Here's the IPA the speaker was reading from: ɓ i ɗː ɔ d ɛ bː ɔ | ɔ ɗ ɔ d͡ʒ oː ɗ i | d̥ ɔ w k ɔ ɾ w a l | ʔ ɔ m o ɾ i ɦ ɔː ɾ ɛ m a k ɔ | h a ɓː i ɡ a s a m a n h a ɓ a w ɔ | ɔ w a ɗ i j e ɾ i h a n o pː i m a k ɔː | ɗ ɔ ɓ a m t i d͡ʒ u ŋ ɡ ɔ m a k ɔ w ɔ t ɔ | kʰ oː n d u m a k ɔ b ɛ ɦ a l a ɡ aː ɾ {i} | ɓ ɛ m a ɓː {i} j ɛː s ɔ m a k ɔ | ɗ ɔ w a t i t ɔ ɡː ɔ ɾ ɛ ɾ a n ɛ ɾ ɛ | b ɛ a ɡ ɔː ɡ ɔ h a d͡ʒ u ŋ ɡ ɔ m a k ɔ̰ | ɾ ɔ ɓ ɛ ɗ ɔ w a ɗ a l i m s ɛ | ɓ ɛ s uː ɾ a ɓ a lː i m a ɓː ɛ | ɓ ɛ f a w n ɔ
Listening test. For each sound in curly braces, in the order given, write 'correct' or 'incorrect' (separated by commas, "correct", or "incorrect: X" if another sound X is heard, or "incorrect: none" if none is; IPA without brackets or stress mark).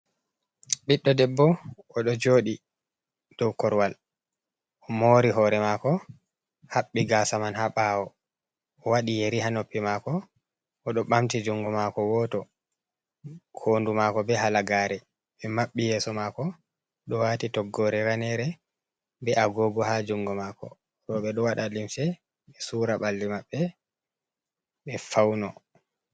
incorrect: ɛ, correct